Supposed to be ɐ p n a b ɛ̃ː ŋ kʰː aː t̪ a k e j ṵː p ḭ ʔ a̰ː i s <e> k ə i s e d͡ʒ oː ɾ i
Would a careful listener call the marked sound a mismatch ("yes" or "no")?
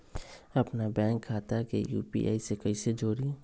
no